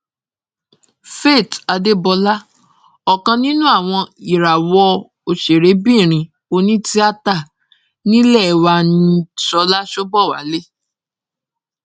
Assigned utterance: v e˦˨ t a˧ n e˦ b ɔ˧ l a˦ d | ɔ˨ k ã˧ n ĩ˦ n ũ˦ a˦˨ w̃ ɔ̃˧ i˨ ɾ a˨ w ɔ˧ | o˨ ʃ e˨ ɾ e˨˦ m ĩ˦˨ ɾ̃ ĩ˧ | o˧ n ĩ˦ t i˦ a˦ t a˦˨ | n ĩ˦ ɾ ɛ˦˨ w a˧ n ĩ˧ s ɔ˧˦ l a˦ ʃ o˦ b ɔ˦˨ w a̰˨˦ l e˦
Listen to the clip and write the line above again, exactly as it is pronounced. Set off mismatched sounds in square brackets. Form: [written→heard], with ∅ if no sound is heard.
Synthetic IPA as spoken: [v→f] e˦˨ t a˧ [n→d] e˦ b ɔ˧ l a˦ [d→∅] | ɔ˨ k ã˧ n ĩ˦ n ũ˦ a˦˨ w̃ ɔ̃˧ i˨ ɾ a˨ w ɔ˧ | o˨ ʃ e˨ ɾ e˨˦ [m→b] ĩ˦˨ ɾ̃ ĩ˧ | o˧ n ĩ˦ t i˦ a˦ t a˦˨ | n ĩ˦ [ɾ→l] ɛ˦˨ w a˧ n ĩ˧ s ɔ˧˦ l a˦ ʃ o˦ b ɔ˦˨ w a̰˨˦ l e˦